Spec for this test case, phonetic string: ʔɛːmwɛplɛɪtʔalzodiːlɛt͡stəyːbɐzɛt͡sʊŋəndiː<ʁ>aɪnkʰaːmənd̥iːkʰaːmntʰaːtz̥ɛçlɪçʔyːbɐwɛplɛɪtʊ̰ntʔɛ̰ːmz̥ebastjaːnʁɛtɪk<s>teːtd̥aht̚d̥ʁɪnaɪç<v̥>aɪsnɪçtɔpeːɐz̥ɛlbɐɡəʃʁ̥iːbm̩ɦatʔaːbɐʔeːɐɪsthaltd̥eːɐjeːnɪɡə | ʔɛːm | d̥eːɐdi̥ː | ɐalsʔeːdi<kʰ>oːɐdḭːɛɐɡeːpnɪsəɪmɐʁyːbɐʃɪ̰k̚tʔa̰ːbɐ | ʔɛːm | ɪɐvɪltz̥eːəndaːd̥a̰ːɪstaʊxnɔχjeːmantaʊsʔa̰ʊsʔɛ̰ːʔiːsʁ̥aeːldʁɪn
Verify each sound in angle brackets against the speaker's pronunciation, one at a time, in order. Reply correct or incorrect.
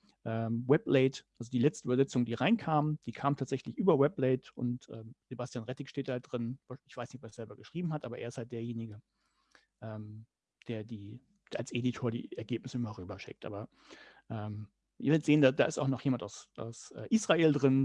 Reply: correct, incorrect, correct, incorrect

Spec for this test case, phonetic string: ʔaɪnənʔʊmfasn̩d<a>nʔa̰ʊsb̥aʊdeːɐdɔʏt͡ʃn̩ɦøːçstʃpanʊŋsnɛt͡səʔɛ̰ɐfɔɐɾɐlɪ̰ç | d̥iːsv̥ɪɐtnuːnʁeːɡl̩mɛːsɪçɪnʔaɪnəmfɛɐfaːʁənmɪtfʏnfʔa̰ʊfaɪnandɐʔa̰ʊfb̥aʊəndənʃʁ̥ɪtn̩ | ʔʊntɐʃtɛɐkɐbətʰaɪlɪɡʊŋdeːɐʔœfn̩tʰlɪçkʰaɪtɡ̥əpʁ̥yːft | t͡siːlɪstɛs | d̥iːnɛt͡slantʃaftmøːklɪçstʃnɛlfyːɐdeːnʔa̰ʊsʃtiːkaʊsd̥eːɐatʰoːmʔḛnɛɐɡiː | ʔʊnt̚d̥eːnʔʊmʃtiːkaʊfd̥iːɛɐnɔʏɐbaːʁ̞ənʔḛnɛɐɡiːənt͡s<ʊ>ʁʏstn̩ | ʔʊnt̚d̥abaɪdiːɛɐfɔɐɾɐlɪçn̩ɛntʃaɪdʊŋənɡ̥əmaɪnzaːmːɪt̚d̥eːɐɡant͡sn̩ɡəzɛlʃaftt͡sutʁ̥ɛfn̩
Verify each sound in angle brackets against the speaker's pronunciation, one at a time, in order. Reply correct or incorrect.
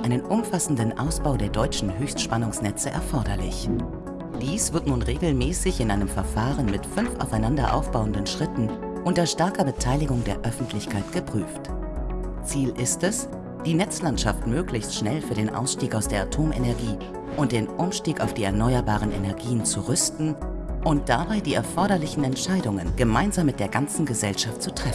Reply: incorrect, incorrect

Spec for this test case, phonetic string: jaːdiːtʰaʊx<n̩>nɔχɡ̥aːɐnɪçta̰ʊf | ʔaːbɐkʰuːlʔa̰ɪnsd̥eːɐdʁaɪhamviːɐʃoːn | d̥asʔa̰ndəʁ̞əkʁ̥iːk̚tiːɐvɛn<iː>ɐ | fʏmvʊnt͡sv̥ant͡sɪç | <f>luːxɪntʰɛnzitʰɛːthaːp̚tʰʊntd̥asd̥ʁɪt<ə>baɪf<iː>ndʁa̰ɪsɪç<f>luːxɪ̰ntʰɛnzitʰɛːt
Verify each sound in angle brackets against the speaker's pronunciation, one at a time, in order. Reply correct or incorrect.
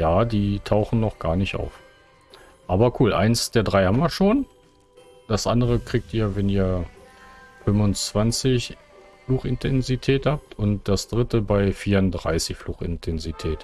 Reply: correct, correct, correct, correct, correct, correct

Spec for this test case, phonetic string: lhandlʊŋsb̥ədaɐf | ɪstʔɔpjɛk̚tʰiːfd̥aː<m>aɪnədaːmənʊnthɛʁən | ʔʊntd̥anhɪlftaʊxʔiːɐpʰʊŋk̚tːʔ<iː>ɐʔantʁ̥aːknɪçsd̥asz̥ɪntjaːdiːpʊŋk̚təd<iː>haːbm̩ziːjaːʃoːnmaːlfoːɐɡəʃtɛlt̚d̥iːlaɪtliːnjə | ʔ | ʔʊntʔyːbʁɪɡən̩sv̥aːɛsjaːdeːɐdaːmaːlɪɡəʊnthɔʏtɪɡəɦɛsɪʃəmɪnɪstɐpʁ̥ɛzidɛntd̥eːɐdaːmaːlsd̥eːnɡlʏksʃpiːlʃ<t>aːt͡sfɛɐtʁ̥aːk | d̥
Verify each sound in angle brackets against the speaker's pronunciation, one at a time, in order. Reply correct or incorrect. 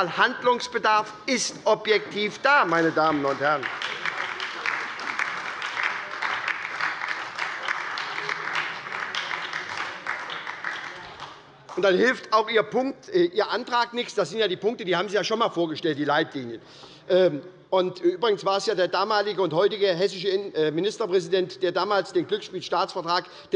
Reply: correct, correct, correct, correct

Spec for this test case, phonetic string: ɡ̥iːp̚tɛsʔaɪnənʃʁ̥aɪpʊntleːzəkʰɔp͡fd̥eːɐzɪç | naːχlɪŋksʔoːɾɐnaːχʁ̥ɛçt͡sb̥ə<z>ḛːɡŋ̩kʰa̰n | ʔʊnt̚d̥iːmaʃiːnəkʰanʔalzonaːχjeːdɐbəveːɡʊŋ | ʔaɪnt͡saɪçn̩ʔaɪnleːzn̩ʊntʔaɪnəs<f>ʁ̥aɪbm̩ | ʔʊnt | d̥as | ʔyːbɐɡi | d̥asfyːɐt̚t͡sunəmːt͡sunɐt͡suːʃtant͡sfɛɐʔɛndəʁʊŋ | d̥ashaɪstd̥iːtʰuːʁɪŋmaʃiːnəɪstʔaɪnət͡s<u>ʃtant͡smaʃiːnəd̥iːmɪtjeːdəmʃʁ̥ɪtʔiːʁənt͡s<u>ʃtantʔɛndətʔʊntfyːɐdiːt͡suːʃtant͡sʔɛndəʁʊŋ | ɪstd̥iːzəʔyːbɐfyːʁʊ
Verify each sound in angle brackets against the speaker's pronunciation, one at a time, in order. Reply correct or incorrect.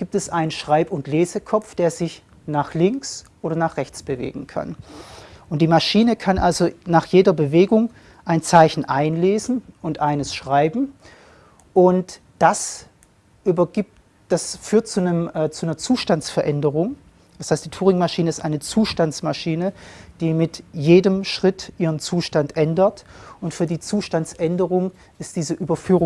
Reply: incorrect, incorrect, incorrect, incorrect

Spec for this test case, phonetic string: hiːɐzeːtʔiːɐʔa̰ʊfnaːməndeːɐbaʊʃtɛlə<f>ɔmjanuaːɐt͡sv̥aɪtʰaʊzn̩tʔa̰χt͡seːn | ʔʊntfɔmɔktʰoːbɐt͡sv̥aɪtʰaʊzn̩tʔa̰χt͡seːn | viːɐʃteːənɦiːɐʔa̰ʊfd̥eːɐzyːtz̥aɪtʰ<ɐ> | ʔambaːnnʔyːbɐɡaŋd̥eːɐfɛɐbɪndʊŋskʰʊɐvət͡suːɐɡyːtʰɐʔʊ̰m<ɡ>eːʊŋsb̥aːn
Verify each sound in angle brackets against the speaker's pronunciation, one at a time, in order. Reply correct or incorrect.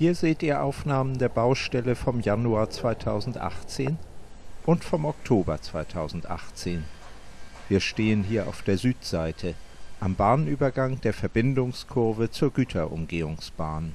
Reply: correct, incorrect, correct

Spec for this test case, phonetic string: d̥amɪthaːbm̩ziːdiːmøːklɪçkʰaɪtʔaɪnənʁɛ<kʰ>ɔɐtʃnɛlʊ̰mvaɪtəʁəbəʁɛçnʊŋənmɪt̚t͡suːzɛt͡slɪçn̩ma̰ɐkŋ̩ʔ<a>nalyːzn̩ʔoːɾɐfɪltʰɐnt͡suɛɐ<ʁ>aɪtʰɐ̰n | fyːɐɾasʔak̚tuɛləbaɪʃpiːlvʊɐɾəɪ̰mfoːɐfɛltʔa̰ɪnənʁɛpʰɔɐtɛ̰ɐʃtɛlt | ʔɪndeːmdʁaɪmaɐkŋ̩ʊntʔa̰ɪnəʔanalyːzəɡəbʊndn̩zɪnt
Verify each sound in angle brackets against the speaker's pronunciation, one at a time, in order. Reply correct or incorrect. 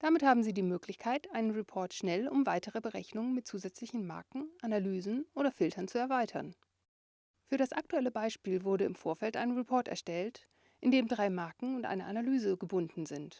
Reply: incorrect, correct, incorrect

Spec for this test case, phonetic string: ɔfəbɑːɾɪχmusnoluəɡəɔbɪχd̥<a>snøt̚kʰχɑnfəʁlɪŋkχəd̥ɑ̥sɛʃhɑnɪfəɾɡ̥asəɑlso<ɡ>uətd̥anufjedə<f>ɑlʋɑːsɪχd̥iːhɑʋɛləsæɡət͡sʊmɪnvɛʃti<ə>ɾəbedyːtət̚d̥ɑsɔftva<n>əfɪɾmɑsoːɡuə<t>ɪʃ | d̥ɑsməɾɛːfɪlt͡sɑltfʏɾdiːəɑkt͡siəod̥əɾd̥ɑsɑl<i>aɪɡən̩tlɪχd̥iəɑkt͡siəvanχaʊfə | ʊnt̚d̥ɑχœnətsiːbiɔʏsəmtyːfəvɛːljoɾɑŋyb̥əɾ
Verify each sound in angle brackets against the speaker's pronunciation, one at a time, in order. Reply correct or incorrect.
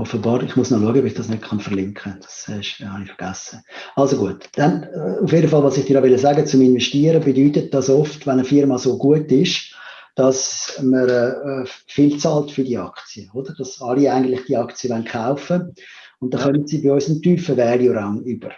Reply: incorrect, correct, correct, correct, correct, correct, correct

